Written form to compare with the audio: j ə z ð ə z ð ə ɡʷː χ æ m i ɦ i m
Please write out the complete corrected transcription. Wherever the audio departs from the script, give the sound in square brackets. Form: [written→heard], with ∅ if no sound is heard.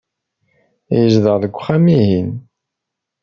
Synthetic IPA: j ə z ð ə [z→ʁ] ð ə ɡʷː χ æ m i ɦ i [m→n]